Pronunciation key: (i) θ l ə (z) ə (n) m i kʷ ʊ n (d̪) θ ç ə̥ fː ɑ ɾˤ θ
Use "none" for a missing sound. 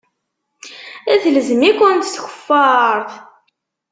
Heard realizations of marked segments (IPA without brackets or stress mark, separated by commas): æ, z, none, t̪